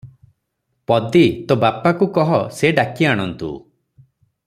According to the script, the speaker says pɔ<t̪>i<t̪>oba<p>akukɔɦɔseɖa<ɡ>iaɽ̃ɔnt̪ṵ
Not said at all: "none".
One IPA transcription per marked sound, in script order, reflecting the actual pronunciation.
d̪, t̪, p, k

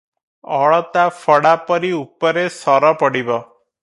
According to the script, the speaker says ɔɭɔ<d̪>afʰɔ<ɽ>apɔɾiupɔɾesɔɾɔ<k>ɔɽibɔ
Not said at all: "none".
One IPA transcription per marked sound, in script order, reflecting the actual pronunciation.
t̪, ɽ, p

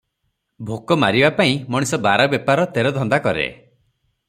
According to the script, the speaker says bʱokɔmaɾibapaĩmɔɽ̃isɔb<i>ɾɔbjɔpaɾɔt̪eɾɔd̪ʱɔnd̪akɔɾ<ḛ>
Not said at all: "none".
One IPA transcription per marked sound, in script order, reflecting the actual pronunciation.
a, ḛ

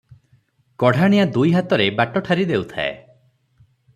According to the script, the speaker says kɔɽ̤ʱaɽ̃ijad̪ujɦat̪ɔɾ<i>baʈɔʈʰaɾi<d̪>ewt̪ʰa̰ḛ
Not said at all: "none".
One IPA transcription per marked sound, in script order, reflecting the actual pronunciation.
e, d̪

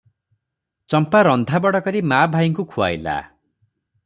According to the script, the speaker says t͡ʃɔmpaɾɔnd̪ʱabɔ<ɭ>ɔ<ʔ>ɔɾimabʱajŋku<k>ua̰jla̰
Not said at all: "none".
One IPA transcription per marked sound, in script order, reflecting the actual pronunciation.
ɽ, k, kʰ

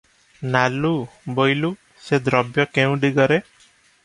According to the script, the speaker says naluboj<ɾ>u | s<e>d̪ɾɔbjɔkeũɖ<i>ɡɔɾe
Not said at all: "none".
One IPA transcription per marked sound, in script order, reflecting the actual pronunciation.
l, e, i

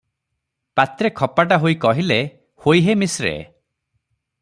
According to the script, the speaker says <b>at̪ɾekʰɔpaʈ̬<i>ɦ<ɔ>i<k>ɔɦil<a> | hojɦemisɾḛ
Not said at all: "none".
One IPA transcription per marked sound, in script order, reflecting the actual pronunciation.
p, a, o, k, e

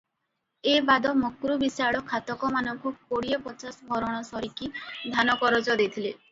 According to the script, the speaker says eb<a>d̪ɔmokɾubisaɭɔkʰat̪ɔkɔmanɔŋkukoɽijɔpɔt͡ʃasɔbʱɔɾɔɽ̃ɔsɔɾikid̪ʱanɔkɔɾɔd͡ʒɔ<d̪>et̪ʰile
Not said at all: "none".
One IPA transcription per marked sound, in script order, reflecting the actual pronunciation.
a, d̪

